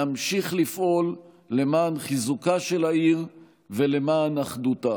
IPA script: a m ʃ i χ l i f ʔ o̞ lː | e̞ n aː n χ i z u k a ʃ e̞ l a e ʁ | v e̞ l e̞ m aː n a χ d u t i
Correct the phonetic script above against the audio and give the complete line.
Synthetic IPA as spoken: a m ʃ i χ l i f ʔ o̞ lː | e̞ m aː n χ i z u k a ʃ e̞ l a i ʁ | v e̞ l e̞ m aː n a χ d u t a